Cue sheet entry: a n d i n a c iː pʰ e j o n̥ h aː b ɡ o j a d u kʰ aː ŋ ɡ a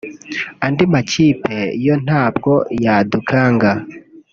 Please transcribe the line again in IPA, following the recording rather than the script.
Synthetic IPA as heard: a n d i m a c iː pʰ e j o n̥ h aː b ɡ o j a d u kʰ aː ŋ ɡ a